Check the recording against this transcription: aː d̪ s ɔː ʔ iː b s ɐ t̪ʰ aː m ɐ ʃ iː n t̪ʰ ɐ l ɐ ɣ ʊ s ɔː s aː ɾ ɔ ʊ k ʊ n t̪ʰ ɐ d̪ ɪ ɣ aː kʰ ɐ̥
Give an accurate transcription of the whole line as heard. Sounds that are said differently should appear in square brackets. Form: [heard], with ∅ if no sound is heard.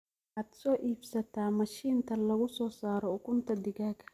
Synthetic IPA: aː d̪ s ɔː ʔ iː b s ɐ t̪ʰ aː m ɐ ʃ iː n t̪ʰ ɐ l ɐ ɣ ʊ s ɔː s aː ɾ ɔ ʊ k ʊ n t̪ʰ ɐ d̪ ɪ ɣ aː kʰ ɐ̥